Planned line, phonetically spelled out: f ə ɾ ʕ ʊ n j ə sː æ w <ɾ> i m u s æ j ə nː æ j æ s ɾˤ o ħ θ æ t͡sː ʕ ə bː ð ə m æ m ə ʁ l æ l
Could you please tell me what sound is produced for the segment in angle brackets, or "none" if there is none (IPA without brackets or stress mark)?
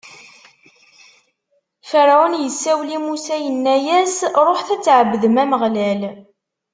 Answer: l